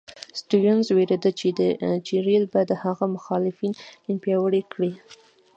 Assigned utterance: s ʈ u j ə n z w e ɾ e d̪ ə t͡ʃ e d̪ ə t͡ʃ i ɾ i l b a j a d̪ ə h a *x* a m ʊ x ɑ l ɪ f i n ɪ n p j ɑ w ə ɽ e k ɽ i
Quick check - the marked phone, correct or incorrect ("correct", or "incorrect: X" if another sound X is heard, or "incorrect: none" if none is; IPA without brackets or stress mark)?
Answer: incorrect: ɣ